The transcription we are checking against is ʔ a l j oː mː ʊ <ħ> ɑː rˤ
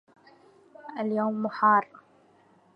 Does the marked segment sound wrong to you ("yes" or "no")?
no